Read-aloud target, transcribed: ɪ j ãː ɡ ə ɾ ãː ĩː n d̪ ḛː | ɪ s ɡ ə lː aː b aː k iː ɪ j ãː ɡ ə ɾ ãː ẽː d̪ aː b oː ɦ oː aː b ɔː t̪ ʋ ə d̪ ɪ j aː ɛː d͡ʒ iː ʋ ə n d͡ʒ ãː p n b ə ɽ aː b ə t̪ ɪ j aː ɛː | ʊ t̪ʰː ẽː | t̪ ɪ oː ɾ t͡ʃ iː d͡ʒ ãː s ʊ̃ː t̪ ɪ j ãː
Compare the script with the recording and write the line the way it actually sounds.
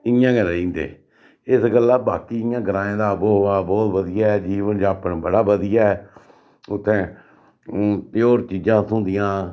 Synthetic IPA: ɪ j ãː ɡ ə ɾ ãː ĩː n d̪ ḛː | ɪ s ɡ ə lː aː b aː k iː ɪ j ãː ɡ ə ɾ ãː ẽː d̪ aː b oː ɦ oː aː b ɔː t̪ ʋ ə d̪ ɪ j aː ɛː d͡ʒ iː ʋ ə n d͡ʒ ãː p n b ə ɽ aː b ə d̪ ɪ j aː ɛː | ʊ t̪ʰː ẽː | t̪ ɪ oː ɾ t͡ʃ iː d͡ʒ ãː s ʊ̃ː d̪ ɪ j ãː